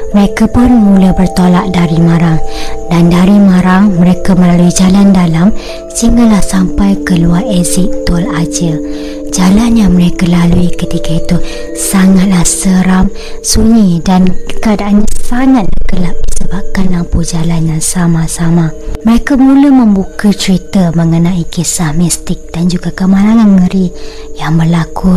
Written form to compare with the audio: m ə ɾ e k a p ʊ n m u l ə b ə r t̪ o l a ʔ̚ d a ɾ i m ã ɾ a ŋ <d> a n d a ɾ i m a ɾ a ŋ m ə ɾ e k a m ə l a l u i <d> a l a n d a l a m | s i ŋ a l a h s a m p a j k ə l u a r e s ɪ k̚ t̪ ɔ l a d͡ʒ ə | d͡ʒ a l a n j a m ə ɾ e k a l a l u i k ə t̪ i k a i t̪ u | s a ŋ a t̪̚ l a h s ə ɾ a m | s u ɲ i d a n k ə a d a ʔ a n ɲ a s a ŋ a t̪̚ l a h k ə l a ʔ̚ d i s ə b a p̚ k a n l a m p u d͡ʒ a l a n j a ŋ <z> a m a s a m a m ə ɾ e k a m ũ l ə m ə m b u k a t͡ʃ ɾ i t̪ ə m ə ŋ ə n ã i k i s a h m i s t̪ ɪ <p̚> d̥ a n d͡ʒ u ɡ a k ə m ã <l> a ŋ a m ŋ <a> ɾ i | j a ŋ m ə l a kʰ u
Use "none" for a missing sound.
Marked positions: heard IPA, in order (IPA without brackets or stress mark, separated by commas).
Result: d, d͡ʒ, s, k̚, l, ə